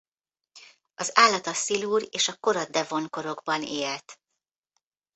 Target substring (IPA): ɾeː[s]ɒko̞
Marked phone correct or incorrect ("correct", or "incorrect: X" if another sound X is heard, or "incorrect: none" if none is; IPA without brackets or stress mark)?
incorrect: ʃ